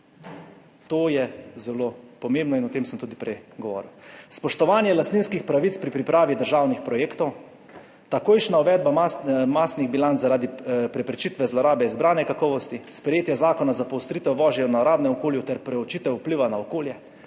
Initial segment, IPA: t̪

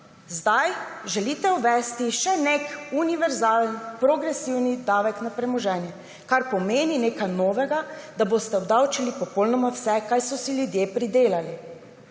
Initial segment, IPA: z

